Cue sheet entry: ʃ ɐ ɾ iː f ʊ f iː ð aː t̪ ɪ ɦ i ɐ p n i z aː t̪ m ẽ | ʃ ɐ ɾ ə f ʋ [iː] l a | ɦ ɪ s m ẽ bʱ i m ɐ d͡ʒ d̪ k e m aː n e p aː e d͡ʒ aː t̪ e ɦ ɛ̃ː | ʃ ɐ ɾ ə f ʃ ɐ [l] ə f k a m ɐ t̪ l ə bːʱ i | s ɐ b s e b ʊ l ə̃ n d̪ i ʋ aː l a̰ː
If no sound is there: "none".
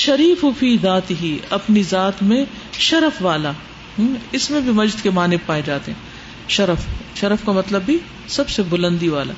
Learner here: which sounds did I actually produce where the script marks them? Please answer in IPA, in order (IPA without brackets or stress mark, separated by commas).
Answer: aː, ɾ